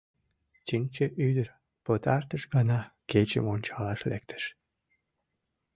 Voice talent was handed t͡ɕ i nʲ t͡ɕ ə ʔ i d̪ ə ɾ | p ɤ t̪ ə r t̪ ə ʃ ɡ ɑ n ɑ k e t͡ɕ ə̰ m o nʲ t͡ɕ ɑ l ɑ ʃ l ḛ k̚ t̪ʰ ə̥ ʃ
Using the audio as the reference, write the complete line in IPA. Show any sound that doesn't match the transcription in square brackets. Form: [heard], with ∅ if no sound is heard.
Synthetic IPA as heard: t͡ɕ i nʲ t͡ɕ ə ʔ [y] d̪ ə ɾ | p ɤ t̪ [ɑ] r t̪ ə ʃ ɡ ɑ n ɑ k e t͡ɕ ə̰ m o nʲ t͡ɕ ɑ l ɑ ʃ l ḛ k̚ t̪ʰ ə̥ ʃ